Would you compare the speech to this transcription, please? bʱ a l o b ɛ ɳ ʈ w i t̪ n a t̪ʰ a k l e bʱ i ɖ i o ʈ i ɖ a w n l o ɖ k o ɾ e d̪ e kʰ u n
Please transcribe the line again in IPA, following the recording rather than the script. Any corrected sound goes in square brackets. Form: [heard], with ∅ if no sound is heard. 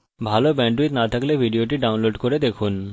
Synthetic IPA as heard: bʱ a l o b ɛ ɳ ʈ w i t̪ n a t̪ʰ a k l e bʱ i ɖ i o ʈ i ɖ a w n l o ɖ k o ɾ e d̪ e kʰ u n